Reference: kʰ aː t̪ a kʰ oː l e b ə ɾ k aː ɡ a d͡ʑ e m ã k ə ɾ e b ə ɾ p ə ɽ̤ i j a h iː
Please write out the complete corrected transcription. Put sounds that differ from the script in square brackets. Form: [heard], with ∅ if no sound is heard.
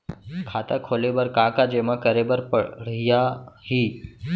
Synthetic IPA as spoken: kʰ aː t̪ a kʰ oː l e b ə ɾ k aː [k] a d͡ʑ e m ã k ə ɾ e b ə ɾ p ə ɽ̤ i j a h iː